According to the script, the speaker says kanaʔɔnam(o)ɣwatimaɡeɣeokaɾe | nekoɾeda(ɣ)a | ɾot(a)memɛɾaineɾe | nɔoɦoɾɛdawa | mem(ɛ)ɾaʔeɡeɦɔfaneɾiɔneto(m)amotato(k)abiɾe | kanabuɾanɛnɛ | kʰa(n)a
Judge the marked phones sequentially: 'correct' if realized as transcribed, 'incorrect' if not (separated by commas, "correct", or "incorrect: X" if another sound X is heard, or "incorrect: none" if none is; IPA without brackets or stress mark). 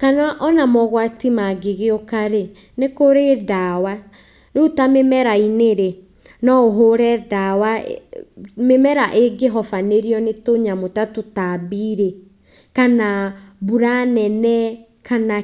incorrect: ɔ, incorrect: w, correct, correct, incorrect: ɲ, incorrect: t, correct